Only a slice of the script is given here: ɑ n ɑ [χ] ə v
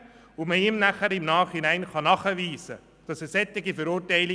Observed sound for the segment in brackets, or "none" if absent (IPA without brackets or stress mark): χ